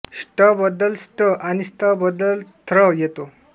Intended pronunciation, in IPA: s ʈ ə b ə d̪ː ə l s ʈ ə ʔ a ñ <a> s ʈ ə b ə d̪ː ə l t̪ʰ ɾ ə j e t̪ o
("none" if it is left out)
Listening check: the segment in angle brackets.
i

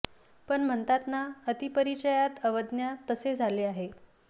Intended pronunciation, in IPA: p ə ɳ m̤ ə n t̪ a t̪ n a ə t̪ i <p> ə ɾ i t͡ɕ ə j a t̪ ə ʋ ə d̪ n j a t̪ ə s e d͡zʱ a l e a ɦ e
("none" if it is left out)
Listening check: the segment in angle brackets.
p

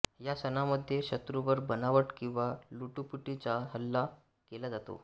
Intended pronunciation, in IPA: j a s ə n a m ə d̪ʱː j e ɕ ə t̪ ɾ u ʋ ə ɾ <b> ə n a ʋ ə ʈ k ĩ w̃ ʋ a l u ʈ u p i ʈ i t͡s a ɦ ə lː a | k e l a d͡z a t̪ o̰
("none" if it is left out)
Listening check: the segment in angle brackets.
b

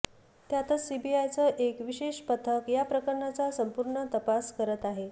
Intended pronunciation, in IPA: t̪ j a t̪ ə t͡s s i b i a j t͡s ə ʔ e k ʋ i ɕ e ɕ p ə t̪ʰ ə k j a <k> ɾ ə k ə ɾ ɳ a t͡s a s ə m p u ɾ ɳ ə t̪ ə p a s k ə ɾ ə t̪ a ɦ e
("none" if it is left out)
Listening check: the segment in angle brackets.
p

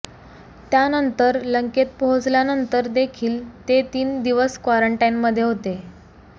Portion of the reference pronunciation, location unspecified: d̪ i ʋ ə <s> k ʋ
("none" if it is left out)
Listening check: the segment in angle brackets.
s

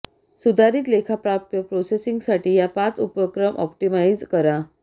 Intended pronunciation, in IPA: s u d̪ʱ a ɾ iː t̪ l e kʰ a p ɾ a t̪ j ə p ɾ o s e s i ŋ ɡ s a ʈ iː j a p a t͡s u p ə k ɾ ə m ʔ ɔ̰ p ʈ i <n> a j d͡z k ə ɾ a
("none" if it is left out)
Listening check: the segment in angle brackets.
m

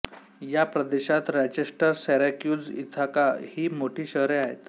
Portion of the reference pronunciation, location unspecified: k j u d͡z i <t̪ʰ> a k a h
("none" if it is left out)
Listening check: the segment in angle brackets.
t̪ʰ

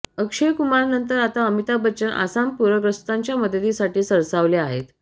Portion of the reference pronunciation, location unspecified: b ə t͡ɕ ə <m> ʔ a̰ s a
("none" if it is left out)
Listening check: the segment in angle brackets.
n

